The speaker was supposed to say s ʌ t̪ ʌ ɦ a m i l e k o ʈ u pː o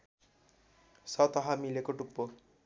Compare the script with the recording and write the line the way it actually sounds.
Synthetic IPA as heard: s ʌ t̪ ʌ ɦ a m i l e k o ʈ u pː o